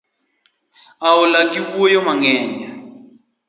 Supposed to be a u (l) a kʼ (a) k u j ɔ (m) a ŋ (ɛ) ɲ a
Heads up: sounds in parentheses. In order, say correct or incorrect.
correct, incorrect: i, correct, incorrect: ɛː

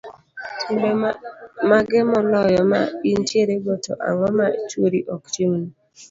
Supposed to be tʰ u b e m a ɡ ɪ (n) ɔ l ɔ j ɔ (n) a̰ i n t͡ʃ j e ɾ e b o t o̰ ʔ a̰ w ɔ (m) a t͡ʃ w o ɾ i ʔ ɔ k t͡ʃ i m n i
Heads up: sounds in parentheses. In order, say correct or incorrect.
incorrect: m, incorrect: m, correct

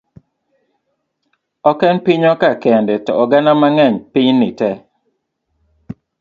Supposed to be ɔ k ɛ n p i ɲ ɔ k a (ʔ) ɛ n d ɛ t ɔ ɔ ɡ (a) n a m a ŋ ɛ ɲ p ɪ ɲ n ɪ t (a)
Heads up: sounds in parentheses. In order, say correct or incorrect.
incorrect: k, correct, incorrect: ɛ

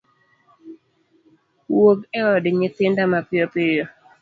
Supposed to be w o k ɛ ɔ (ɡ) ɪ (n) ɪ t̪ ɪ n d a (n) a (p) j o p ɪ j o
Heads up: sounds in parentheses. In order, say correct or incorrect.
incorrect: d, incorrect: ɲ, incorrect: m, correct

